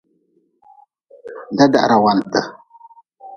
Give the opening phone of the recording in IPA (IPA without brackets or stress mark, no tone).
d